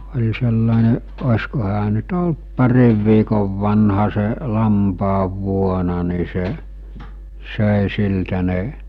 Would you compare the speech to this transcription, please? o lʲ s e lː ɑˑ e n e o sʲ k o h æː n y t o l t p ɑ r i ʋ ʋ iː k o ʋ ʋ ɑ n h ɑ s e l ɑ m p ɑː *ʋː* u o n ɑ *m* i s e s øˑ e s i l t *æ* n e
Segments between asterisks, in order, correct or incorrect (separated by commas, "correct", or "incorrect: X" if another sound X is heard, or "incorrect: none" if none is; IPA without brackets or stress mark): correct, incorrect: n, correct